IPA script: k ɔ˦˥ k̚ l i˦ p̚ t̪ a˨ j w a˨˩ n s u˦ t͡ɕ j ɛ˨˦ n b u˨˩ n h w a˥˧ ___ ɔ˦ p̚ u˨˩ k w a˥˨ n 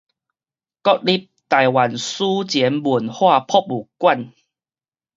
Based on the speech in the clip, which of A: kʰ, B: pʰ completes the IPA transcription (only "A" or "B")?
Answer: B